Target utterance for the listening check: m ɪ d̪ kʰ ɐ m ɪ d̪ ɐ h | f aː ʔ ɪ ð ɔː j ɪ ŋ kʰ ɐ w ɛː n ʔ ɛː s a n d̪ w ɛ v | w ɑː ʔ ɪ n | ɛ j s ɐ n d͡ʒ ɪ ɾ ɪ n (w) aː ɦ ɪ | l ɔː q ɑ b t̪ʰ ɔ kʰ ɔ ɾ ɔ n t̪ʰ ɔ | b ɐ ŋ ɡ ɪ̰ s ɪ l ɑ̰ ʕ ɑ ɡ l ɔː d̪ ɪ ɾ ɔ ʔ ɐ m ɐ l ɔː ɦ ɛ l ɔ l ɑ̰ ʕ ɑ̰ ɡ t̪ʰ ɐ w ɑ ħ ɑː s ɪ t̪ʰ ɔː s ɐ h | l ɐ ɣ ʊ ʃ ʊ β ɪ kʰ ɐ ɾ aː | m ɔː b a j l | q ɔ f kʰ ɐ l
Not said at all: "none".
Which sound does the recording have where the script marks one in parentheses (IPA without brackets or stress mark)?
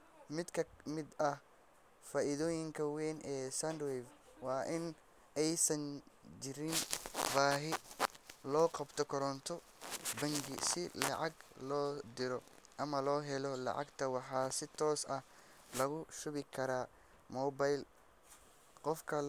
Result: b